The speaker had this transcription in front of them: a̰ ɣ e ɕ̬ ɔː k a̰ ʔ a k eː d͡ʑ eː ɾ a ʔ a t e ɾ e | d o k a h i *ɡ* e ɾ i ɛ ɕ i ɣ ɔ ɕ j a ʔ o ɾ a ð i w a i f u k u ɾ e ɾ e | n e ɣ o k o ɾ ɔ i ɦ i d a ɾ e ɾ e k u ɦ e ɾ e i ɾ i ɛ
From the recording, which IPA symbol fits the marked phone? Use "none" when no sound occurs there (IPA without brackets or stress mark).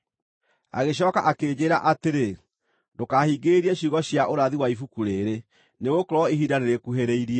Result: ɡ